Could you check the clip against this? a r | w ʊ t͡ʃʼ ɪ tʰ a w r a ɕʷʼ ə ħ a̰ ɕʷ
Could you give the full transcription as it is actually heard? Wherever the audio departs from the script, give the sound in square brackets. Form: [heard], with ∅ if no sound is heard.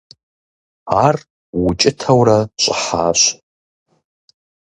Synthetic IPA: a r | w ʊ t͡ʃʼ ɪ tʰ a w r a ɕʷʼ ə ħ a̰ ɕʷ